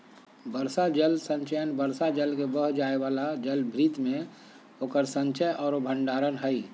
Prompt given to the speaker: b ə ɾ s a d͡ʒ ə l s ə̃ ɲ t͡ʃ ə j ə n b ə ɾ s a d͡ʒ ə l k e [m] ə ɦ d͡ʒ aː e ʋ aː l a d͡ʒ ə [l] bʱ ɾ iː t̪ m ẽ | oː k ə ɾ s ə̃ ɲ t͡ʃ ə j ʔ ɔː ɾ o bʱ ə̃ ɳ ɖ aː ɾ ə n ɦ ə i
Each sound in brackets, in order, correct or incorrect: incorrect: b, correct

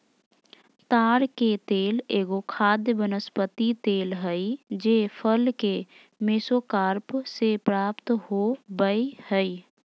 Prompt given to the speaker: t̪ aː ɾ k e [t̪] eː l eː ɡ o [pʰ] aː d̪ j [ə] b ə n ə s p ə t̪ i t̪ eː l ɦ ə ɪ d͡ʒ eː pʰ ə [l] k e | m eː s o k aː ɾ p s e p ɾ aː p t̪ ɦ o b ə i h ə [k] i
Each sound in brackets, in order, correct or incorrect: correct, incorrect: kʰ, correct, correct, incorrect: none

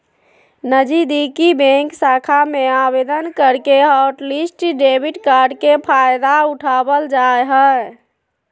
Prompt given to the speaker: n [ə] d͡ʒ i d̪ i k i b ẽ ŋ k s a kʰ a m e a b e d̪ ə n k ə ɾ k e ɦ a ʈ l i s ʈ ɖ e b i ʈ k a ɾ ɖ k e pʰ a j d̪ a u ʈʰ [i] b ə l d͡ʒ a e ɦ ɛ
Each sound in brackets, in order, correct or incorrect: correct, incorrect: a

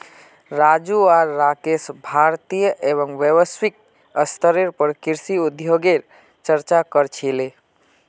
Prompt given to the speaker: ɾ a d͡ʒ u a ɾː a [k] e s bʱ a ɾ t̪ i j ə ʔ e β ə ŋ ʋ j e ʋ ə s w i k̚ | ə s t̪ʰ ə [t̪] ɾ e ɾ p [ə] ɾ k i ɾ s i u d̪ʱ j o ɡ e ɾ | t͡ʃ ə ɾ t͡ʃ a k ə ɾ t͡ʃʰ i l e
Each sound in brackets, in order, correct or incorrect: correct, incorrect: none, correct

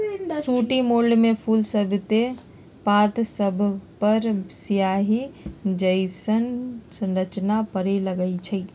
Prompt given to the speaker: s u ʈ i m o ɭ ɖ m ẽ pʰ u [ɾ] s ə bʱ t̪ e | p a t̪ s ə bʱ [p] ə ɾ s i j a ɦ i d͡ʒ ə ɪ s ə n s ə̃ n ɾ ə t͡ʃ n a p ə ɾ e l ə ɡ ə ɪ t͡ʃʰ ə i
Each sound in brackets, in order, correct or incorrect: incorrect: l, correct

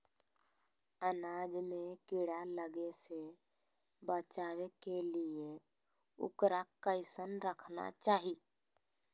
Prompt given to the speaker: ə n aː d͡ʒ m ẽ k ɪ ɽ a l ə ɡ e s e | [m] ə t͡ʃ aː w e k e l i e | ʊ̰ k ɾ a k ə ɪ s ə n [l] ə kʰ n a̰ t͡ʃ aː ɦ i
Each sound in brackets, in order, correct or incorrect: incorrect: b, incorrect: ɾ

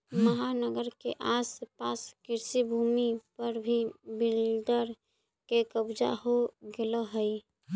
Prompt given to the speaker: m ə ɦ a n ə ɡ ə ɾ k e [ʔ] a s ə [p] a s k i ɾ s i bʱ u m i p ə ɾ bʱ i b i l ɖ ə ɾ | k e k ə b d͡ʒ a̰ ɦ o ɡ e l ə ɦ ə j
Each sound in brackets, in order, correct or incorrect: correct, correct

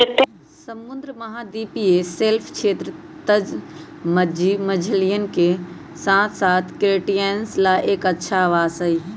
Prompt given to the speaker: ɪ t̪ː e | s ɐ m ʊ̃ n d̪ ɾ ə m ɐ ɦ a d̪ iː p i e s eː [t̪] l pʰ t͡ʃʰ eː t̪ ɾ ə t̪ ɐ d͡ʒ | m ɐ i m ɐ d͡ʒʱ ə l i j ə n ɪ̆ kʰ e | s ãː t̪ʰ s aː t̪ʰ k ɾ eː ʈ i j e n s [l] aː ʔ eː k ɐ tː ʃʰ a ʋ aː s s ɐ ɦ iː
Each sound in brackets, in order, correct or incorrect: incorrect: none, correct

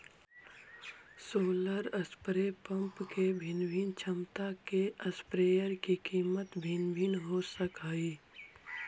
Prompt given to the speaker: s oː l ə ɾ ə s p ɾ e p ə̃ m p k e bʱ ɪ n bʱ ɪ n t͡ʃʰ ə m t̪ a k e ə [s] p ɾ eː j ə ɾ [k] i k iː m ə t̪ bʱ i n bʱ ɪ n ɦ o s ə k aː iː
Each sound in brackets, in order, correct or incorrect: correct, correct

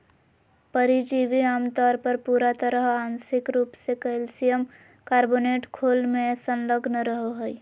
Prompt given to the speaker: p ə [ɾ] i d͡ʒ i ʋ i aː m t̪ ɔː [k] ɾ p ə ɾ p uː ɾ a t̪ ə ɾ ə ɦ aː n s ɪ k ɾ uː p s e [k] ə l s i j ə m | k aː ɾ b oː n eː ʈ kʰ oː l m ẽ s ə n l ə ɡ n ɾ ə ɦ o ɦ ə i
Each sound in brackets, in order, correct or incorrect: correct, incorrect: none, correct

